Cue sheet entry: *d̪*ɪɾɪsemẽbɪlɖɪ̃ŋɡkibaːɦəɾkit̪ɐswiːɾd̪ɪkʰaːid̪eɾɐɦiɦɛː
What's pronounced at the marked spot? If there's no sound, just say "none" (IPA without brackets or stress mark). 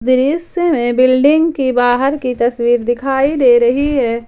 d̪